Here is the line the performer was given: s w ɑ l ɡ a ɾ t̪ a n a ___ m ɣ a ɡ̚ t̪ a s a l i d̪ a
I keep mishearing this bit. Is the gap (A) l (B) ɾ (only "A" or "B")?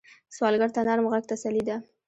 B